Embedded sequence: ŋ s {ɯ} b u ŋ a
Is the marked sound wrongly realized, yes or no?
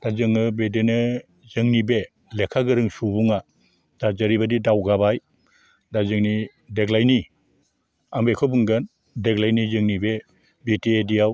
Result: yes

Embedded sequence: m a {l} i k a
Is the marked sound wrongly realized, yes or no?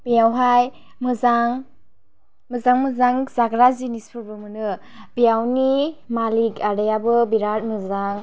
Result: no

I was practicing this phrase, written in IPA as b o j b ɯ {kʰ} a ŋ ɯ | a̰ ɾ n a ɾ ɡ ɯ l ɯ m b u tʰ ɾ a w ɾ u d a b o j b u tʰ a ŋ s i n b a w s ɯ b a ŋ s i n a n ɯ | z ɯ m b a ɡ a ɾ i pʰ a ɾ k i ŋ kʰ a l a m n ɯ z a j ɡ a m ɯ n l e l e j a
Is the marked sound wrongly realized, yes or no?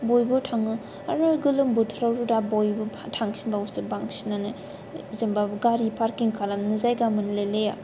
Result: yes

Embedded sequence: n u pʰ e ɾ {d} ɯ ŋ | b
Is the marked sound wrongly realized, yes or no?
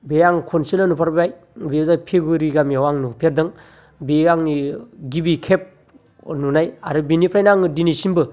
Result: no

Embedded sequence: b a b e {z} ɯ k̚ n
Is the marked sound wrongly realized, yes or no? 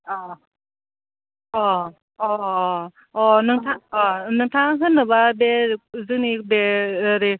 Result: no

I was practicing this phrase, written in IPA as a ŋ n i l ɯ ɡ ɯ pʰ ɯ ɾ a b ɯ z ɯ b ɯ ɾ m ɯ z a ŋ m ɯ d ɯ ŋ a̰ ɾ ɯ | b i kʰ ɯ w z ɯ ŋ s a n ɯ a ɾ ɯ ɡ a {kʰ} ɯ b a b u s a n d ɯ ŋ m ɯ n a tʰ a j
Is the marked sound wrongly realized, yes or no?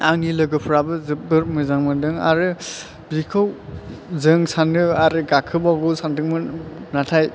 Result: no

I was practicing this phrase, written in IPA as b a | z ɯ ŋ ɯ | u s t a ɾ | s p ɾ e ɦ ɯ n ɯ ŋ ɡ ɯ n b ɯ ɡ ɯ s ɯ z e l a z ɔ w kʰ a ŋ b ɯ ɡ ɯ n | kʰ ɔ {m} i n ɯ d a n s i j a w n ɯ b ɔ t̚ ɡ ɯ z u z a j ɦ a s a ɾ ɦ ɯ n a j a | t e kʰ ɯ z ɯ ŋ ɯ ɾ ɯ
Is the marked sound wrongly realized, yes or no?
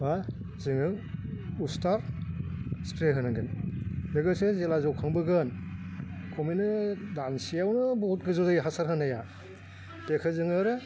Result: no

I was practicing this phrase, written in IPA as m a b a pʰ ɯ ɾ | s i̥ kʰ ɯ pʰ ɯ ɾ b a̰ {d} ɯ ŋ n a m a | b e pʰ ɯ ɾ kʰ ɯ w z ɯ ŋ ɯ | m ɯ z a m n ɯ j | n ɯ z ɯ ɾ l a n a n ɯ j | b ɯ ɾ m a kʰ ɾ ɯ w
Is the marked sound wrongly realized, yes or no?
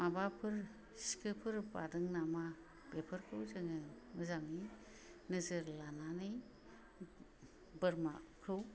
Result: no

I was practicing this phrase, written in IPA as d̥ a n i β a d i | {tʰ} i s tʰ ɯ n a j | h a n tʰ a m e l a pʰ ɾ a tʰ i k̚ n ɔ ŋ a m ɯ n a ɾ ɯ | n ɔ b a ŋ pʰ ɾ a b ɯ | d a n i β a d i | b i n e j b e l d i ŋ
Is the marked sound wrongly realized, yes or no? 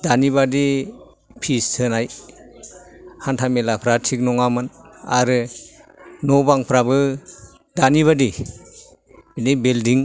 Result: yes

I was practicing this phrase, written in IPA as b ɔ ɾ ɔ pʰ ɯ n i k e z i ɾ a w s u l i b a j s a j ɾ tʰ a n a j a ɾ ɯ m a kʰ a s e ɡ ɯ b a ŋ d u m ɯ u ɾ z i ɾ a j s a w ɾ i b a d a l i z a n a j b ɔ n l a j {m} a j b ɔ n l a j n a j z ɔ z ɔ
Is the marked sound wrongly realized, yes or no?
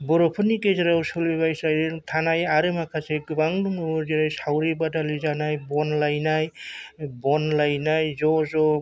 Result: yes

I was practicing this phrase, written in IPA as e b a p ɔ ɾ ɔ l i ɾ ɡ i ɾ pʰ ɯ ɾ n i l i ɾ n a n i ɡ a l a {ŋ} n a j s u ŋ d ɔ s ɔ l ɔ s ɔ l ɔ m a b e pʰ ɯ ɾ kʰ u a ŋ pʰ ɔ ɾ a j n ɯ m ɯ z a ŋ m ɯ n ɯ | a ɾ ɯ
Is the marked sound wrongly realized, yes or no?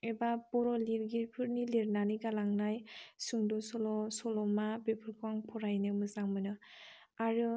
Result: no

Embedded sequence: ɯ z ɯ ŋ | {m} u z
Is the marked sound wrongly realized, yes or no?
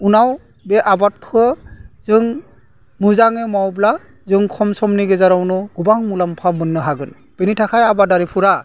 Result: no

